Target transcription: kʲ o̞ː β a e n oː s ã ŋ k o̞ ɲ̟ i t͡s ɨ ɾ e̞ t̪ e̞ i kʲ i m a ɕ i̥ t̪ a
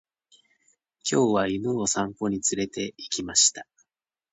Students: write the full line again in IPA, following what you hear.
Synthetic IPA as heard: kʲ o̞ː β a i n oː s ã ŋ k o̞ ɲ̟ i t͡s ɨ ɾ e̞ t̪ e̞ i kʲ i m a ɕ i̥ t̪ a